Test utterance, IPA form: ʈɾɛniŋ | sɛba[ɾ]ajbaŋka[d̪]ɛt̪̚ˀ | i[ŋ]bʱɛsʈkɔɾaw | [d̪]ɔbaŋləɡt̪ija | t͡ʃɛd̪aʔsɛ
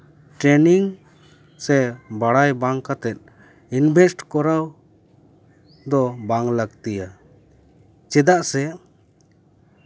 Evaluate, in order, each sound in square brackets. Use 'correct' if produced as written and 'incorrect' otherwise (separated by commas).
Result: incorrect, incorrect, incorrect, correct